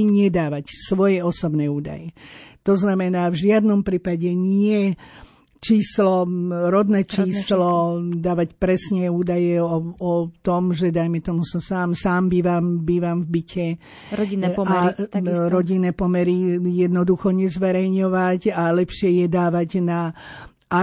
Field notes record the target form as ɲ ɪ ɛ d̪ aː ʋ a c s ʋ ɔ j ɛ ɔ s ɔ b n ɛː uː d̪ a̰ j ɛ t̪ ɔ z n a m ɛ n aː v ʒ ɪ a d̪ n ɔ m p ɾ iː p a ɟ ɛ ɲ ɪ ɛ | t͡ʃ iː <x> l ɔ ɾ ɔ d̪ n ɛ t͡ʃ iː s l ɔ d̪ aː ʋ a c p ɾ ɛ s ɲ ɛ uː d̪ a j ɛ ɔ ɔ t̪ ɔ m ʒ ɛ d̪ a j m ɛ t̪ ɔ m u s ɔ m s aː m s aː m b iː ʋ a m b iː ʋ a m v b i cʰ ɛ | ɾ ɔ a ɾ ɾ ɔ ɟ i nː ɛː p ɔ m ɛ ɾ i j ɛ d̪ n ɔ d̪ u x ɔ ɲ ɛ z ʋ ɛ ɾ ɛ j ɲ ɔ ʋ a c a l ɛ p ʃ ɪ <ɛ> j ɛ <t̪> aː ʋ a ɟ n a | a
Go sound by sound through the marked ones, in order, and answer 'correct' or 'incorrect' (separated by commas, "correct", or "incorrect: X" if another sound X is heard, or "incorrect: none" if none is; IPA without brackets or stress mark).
incorrect: s, correct, incorrect: d̪